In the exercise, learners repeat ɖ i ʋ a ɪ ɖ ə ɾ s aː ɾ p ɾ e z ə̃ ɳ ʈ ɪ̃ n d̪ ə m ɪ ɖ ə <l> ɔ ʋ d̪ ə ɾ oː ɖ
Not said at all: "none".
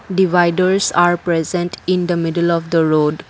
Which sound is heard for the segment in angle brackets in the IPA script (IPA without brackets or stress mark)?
l